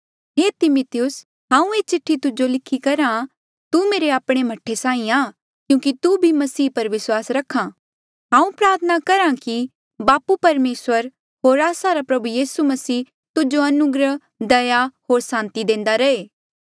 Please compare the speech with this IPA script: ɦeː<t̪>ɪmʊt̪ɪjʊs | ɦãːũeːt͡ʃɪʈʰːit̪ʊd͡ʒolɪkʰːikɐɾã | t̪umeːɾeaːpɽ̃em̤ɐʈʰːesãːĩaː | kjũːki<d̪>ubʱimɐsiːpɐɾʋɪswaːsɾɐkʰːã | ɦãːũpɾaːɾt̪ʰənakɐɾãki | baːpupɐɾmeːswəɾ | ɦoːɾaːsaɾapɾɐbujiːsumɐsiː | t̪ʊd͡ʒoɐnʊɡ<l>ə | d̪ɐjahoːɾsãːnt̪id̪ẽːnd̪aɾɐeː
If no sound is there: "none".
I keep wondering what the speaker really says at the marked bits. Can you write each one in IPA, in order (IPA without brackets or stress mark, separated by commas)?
t̪, t̪, ɾ